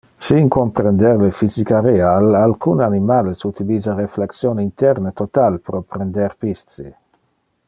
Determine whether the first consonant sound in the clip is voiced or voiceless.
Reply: voiceless